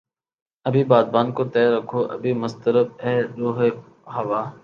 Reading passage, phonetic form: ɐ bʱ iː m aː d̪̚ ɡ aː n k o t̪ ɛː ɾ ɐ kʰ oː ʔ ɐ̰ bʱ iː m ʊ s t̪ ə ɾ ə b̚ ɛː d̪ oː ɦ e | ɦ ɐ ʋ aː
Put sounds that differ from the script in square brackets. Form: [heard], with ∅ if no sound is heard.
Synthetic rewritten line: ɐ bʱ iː [b] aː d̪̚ [b] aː n k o t̪ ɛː ɾ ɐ kʰ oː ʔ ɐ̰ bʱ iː m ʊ s t̪ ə ɾ ə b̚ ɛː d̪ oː ɦ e | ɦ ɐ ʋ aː